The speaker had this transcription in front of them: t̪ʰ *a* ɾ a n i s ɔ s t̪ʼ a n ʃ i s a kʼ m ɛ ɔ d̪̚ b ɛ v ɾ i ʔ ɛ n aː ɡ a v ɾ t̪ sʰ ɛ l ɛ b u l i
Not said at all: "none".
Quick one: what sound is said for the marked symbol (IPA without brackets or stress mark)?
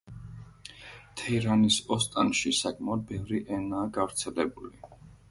ɛ